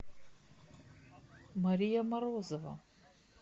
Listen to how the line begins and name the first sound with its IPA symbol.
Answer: m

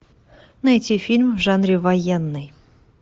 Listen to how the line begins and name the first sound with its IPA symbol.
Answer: n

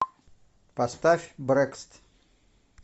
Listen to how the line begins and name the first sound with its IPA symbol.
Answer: p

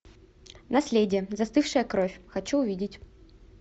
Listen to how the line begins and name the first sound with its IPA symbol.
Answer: n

